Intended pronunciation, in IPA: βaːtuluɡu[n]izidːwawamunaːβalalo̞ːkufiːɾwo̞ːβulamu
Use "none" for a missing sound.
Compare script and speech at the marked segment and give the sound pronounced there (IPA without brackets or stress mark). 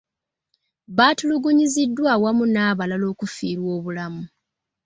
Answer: ɲ